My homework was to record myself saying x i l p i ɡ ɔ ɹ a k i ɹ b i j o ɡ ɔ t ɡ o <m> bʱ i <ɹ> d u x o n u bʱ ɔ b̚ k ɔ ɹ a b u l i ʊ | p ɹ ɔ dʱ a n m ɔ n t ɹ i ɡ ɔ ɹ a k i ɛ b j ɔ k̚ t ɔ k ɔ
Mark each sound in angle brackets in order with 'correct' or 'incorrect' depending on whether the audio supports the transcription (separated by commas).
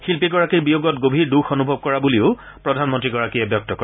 incorrect, correct